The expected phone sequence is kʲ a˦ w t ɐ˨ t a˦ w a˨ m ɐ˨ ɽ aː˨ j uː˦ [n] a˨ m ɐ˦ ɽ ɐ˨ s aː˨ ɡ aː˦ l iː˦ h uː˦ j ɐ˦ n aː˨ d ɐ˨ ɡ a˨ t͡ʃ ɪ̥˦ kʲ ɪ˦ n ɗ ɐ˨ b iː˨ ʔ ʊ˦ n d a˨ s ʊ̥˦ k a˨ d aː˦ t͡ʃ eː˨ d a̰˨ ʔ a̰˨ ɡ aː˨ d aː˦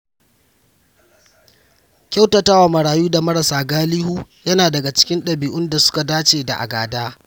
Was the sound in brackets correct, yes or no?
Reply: no